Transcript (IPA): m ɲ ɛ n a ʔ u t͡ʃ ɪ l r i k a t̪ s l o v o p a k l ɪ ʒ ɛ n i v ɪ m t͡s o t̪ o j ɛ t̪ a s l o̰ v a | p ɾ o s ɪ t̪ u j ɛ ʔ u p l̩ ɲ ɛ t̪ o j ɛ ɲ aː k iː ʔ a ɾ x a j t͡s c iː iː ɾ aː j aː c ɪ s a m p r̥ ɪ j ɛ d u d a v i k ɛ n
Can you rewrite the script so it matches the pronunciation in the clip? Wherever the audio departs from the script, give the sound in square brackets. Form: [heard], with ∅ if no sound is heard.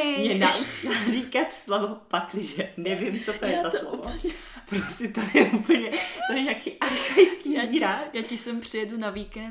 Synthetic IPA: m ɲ ɛ n a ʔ u t͡ʃ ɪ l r i k a t̪ s l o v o p a k l ɪ ʒ ɛ n [ɛ] v ɪ m t͡s o t̪ o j ɛ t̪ a s l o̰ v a | p ɾ o s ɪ t̪ [o] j ɛ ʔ u p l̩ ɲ ɛ t̪ o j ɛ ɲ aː k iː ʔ a ɾ x a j t͡s [k] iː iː ɾ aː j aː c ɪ s [ɛ] m p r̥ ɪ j ɛ d u [n] a v i k ɛ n